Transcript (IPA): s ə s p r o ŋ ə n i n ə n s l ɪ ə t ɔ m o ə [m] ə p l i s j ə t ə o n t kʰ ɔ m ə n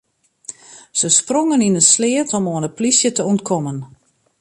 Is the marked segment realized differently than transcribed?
yes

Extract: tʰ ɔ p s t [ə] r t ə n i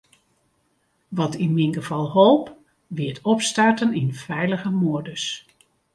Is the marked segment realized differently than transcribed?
yes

